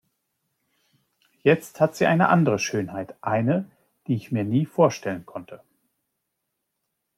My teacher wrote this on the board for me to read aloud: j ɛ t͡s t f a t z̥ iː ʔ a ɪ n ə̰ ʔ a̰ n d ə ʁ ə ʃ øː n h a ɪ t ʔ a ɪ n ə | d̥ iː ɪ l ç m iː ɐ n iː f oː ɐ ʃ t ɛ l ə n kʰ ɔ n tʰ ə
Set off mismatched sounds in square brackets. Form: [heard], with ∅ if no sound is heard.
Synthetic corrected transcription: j ɛ t͡s t [h] a t z̥ iː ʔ a ɪ n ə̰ ʔ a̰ n d ə ʁ ə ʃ øː n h a ɪ t ʔ a ɪ n ə | d̥ iː ɪ [∅] ç m iː ɐ n iː f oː ɐ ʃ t ɛ l ə n kʰ ɔ n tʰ ə

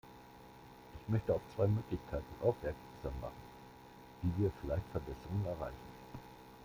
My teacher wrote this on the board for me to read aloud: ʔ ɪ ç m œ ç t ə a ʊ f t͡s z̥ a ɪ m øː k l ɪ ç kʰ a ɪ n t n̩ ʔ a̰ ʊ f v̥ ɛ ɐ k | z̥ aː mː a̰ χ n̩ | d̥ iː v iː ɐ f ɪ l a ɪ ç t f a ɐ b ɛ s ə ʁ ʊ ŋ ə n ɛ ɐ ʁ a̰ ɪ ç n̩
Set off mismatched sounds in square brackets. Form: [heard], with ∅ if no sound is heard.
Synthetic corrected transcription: ʔ ɪ ç m œ ç t ə a ʊ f t͡s [v̥] a ɪ m øː k l ɪ ç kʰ a ɪ [∅] t n̩ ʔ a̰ ʊ f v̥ ɛ ɐ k | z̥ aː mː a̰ χ n̩ | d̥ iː v iː ɐ f ɪ l a ɪ ç t f [ɛ] ɐ b ɛ s ə ʁ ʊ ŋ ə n ɛ ɐ ʁ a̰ ɪ ç n̩

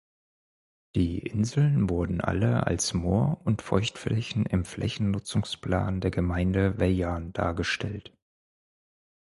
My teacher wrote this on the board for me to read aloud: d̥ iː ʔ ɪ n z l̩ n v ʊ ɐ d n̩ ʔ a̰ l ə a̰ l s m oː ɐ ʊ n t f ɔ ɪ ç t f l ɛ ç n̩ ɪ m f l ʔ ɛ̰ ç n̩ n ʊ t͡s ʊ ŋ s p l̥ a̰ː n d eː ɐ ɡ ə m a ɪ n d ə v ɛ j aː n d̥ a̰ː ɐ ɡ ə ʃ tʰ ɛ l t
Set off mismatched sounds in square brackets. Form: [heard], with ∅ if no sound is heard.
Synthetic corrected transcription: d̥ iː ʔ ɪ n z l̩ n v ʊ ɐ d n̩ ʔ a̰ l ə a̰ l s m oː ɐ ʊ n t f ɔ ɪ ç t f l ɛ ç n̩ ɪ m f l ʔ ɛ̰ ç n̩ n ʊ t͡s ʊ ŋ s p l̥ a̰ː n d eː ɐ ɡ ə m a ɪ n d ə v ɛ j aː n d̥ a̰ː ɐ ɡ ə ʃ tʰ ɛ l t

